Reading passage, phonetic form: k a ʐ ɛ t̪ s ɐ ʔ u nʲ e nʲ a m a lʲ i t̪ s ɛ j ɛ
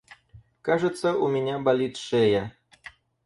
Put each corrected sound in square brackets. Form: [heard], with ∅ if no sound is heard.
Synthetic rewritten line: k a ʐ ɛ t̪ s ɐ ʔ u [mʲ] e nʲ a [b] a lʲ i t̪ [ʂ] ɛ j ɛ